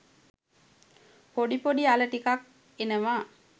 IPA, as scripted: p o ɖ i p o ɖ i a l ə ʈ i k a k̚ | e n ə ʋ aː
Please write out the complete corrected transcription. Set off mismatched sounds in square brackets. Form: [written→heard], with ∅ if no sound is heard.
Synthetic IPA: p o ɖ i p o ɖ i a l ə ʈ i k a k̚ | e n ə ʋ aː